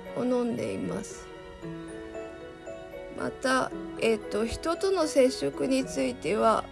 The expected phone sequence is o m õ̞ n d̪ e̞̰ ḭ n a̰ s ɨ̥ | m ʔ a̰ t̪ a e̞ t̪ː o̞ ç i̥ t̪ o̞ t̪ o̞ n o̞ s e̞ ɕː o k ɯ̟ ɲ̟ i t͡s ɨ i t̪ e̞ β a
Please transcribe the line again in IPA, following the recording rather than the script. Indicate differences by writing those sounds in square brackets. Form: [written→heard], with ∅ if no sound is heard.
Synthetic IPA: o [m→n] õ̞ n d̪ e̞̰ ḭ [n→m] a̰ s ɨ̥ | m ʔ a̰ t̪ a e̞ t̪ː o̞ ç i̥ t̪ o̞ t̪ o̞ n o̞ s e̞ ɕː o k ɯ̟ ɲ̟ i t͡s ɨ i t̪ e̞ β a